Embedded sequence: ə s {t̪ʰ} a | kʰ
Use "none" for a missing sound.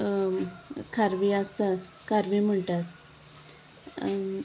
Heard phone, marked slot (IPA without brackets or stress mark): t̪